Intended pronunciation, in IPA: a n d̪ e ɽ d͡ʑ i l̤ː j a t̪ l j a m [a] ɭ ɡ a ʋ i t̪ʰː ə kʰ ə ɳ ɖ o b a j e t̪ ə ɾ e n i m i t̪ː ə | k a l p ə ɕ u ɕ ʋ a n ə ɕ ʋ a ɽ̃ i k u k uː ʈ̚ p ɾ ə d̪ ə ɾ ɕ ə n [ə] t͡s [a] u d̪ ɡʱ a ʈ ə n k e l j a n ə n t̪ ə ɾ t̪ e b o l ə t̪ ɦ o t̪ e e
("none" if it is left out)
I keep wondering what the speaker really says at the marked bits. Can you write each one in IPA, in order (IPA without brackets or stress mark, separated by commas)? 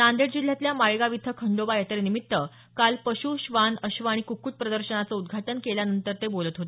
a, a, ə